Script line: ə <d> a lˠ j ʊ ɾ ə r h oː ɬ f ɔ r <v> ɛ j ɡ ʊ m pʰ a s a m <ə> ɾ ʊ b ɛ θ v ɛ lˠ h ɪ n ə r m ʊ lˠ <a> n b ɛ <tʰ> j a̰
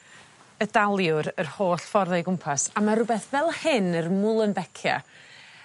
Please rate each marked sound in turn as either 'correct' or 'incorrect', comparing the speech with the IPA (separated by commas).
correct, incorrect, incorrect, incorrect, incorrect